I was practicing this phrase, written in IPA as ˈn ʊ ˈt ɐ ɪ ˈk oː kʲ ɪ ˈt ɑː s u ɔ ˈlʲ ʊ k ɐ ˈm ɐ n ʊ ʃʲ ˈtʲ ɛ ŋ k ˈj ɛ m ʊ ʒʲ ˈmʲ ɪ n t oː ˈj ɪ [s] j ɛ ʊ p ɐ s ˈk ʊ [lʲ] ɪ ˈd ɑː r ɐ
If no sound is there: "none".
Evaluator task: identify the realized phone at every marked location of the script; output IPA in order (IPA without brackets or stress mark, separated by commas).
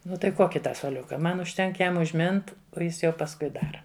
s, none